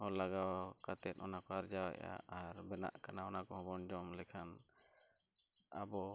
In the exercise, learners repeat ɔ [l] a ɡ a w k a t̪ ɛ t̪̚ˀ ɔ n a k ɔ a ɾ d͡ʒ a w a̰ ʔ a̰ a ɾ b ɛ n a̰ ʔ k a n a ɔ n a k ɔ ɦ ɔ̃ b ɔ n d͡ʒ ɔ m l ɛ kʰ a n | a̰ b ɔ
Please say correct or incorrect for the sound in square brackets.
correct